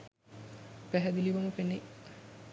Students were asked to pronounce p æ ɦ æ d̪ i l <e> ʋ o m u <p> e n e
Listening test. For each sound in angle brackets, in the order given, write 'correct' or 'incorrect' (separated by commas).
incorrect, correct